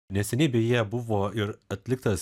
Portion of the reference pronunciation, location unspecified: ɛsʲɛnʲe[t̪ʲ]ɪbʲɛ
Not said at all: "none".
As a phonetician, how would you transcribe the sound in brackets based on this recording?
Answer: none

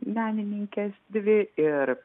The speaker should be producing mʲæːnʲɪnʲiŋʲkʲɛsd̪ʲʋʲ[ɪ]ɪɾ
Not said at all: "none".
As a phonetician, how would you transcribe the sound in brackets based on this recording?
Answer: ɪ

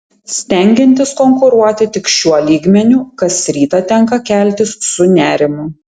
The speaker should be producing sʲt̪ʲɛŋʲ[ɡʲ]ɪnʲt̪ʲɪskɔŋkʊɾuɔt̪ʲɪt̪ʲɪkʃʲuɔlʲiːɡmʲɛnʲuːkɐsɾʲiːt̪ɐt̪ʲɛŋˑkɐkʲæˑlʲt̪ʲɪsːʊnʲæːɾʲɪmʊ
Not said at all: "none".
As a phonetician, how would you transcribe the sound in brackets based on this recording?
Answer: ɡʲ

